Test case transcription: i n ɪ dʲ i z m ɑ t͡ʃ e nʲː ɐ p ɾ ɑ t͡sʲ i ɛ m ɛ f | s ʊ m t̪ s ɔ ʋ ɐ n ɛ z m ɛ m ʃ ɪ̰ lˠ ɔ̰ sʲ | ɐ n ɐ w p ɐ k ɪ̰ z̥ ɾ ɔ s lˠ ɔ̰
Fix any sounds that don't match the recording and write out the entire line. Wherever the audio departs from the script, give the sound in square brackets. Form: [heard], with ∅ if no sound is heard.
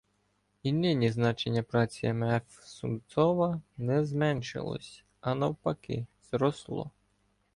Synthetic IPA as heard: i n ɪ [nʲ] i z [n] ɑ t͡ʃ e nʲː ɐ p ɾ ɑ t͡sʲ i ɛ m ɛ f | s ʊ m t̪ s ɔ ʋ ɐ n ɛ z m ɛ [n] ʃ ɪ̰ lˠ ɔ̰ sʲ | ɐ n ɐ w p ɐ k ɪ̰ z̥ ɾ ɔ s lˠ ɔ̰